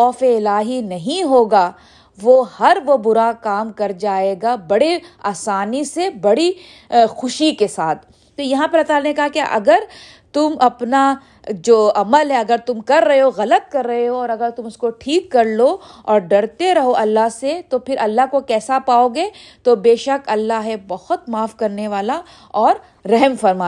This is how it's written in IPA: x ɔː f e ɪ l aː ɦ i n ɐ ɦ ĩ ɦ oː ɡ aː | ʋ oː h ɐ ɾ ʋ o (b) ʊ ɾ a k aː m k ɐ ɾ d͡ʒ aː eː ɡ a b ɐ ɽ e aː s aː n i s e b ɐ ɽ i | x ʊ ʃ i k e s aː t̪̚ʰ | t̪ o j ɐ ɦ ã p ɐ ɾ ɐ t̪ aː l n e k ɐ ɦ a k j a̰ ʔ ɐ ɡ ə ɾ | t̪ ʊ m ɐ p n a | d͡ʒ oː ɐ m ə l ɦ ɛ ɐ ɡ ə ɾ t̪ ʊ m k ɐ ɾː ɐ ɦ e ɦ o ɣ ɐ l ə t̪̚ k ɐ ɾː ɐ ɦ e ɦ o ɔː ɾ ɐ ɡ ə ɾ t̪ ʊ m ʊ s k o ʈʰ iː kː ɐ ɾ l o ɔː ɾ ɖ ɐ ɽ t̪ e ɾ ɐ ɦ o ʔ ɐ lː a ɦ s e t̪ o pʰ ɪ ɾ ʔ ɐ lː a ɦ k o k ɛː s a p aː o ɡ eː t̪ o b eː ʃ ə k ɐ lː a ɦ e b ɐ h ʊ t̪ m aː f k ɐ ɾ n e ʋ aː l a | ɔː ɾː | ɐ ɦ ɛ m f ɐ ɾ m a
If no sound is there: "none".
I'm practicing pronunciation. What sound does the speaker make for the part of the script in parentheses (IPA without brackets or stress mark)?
b